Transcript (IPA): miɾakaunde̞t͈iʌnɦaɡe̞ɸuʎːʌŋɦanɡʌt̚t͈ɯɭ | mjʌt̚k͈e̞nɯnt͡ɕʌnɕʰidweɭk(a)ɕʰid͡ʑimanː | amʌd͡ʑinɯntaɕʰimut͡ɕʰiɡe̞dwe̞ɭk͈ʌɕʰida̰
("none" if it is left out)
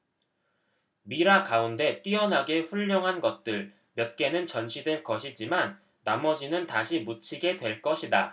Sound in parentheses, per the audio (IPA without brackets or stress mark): ʌ